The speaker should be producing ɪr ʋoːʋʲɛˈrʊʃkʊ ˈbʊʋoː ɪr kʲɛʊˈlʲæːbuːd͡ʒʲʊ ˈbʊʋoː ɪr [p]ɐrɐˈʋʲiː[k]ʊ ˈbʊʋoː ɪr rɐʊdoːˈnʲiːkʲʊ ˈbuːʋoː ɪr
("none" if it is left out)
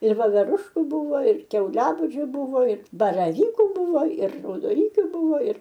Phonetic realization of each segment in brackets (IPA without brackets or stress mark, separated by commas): b, k